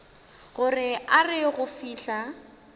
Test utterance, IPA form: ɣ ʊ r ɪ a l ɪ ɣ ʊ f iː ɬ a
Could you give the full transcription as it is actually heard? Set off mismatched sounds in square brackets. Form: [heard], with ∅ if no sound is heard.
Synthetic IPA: ɣ ʊ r ɪ a [r] ɪ ɣ ʊ f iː ɬ a